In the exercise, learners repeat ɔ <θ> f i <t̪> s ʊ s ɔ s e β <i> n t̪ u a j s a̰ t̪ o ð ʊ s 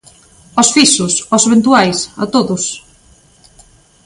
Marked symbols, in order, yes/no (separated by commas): no, no, no